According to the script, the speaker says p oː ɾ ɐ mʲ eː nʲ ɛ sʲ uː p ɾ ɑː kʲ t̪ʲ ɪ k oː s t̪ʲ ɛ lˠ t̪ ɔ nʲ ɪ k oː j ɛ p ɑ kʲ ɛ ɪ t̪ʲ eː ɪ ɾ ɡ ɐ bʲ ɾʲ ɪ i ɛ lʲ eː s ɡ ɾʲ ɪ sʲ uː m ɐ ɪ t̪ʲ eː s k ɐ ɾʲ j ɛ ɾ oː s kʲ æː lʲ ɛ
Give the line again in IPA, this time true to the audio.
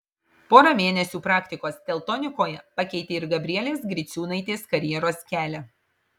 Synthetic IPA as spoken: p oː ɾ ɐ mʲ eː nʲ ɛ sʲ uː p ɾ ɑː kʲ t̪ʲ ɪ k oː s t̪ʲ ɛ lˠ t̪ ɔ nʲ ɪ k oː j ɛ p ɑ kʲ ɛ ɪ t̪ʲ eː ɪ ɾ ɡ ɐ bʲ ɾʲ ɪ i ɛ lʲ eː s ɡ ɾʲ ɪ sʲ uː n ɐ ɪ t̪ʲ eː s k ɐ ɾʲ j ɛ ɾ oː s kʲ æː lʲ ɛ